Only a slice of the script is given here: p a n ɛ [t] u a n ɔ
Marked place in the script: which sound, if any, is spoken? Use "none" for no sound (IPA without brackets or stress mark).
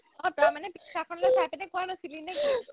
k